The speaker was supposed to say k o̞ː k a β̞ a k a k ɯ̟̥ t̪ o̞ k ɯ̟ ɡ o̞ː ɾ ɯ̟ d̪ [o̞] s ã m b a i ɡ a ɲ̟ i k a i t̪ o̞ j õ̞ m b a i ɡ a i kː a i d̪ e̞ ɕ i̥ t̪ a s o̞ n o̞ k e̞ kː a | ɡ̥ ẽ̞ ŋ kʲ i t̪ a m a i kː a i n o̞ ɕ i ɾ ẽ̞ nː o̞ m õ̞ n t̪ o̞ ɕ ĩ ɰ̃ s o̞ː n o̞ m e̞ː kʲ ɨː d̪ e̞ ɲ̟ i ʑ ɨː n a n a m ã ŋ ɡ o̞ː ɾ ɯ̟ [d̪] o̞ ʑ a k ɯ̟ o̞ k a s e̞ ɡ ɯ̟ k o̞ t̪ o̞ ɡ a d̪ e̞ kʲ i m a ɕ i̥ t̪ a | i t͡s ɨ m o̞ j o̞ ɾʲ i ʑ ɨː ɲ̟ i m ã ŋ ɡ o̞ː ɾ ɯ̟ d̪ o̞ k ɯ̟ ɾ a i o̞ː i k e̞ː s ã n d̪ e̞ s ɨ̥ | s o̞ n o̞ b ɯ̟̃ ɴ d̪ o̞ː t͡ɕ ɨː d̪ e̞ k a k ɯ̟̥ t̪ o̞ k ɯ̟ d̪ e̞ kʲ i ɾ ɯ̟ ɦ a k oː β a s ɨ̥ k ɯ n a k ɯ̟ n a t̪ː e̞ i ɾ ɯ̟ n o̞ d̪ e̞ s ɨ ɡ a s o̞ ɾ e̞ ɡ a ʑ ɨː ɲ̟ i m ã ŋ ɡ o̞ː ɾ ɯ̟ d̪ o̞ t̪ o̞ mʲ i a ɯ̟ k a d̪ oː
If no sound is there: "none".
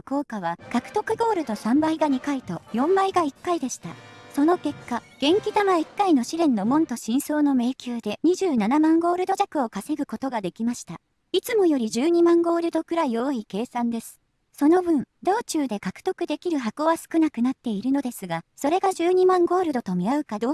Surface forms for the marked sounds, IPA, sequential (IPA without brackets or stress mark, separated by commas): o̞, d̪